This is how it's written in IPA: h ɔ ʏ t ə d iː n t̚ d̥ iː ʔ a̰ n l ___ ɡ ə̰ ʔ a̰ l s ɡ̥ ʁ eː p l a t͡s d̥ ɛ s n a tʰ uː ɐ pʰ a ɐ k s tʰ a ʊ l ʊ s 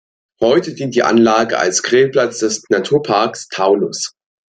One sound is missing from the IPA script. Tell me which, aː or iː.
aː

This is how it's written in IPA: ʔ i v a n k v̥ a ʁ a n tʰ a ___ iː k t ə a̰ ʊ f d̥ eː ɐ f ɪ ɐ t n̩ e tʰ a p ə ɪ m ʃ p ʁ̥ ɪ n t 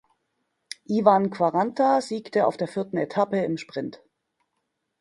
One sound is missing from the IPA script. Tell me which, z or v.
z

